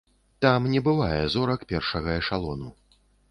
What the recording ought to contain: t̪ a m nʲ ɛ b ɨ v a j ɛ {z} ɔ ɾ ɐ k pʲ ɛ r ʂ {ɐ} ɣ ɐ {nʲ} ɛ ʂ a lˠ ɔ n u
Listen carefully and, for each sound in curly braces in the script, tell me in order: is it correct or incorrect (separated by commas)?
correct, correct, incorrect